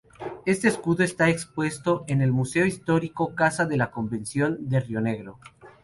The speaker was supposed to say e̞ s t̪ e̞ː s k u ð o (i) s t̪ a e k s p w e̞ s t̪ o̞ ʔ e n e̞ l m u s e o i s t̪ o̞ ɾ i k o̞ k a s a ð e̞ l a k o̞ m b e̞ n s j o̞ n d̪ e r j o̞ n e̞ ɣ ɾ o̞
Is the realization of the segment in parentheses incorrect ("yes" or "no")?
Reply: yes